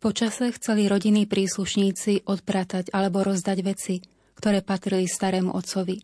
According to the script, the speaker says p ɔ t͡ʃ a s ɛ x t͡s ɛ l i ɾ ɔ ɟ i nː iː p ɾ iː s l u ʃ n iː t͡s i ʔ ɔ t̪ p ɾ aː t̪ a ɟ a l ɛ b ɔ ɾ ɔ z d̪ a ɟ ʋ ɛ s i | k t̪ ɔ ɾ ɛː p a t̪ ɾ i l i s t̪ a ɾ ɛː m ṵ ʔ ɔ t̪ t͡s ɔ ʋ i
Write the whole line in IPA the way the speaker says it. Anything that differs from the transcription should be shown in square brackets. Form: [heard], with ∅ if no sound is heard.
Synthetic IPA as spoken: p ɔ t͡ʃ a s ɛ x t͡s ɛ l i ɾ ɔ ɟ i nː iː p ɾ iː s l u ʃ [ɲ] iː t͡s i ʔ ɔ t̪ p ɾ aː t̪ a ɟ a l ɛ b ɔ ɾ ɔ z d̪ a ɟ ʋ ɛ [t͡s] i | k t̪ ɔ ɾ ɛː p a t̪ ɾ i l i s t̪ a ɾ ɛː m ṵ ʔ ɔ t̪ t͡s ɔ ʋ i